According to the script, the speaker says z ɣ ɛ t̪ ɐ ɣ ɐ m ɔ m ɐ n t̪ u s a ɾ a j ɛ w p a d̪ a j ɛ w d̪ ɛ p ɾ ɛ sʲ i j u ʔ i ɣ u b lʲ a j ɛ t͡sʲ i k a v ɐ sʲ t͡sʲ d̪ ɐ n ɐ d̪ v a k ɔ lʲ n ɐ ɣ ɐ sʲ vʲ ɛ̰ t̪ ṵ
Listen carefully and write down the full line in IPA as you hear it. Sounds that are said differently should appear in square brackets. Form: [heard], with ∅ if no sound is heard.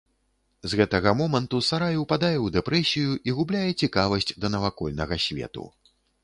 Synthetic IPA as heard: z ɣ ɛ t̪ ɐ ɣ ɐ m ɔ m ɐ n t̪ u s a ɾ a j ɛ w p a d̪ a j ɛ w d̪ ɛ p ɾ ɛ sʲ i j u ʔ i ɣ u b lʲ a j ɛ t͡sʲ i k a v ɐ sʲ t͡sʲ d̪ ɐ n ɐ [∅] v a k ɔ lʲ n ɐ ɣ ɐ sʲ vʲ ɛ̰ t̪ ṵ